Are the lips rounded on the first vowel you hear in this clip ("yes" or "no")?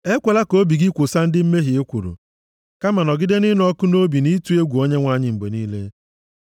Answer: no